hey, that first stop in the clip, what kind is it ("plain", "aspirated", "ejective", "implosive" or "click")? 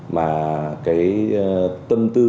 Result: plain